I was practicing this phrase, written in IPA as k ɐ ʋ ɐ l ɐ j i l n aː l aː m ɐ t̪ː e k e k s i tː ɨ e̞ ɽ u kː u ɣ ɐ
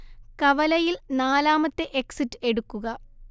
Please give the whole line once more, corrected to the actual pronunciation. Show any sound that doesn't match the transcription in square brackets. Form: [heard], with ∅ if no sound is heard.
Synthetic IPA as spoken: k ɐ ʋ ɐ l ɐ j i l n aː l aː m ɐ t̪ː e [ʔ] e k s i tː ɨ e̞ ɽ u kː u ɣ ɐ

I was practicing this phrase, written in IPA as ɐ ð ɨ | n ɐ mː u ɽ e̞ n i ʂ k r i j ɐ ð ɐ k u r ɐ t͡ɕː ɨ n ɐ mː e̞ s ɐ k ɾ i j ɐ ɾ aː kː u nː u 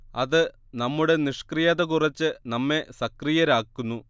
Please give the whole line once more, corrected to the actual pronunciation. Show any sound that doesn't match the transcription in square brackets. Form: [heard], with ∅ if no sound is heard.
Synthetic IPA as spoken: ɐ ð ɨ | n ɐ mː u ɽ e̞ n i ʂ k r i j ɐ ð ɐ k u r ɐ t͡ɕː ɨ n ɐ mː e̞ s ɐ k [r] i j ɐ ɾ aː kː u nː u

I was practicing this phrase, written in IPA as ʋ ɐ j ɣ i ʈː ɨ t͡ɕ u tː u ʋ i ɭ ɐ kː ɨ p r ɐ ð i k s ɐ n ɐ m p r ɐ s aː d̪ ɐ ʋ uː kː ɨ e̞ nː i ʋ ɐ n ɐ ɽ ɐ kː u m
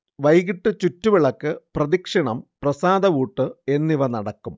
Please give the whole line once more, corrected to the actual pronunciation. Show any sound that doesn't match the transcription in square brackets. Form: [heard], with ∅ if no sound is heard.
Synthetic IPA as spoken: ʋ ɐ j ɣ i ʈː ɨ t͡ɕ u tː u ʋ i ɭ ɐ kː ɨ p r ɐ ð i k [ʂ] ɐ [ɳ] ɐ m p r ɐ s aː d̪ ɐ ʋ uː [ʈː] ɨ e̞ nː i ʋ ɐ n ɐ ɽ ɐ kː u m

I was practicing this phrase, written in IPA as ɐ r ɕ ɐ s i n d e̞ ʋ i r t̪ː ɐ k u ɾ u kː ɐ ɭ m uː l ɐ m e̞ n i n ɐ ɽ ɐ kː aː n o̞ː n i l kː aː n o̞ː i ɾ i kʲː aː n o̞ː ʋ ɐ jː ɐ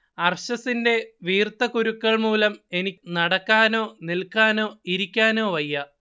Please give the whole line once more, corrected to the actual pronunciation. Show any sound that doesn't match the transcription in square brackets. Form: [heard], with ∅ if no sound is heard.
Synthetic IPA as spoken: ɐ r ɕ ɐ s i n d e̞ ʋ [iː] r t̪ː ɐ k u ɾ u kː ɐ ɭ m uː l ɐ m e̞ n i n ɐ ɽ ɐ kː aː n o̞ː n i l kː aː n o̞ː i ɾ i kʲː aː n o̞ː ʋ ɐ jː ɐ

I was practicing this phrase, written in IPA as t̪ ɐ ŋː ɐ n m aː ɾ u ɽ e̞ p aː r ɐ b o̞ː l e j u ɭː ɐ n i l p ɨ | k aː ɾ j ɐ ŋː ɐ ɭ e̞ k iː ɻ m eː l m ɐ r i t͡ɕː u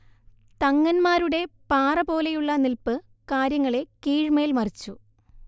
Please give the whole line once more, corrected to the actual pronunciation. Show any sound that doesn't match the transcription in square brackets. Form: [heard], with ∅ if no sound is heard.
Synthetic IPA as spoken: t̪ ɐ ŋː ɐ n m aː ɾ u ɽ e̞ p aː r ɐ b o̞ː l e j u ɭː ɐ n i l p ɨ | k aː ɾ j ɐ ŋː ɐ ɭ e̞ k iː ɻ m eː l m ɐ r i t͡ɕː u

